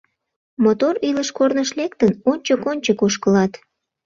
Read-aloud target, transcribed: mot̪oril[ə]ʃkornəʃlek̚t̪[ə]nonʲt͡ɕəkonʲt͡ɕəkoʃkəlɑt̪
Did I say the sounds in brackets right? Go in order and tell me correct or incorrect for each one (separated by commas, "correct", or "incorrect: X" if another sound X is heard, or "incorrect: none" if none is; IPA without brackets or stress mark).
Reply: correct, correct